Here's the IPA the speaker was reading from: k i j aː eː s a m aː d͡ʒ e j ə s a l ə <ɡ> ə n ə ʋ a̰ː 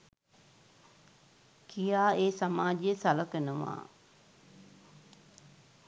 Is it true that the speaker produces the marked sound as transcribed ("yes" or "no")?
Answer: no